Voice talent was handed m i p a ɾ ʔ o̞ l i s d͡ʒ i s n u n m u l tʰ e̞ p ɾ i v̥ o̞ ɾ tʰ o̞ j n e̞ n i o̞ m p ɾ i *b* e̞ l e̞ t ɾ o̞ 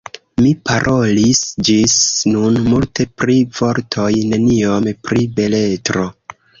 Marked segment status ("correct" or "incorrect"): correct